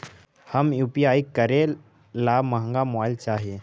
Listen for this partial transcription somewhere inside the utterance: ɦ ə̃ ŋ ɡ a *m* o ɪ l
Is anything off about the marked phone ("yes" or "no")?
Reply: no